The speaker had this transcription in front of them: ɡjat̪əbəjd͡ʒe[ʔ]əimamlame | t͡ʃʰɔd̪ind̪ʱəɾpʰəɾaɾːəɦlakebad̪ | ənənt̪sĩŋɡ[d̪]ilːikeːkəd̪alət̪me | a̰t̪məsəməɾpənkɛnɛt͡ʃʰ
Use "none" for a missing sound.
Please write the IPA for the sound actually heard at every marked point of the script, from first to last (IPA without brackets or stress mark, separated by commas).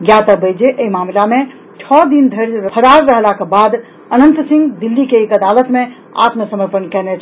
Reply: ʔ, d̪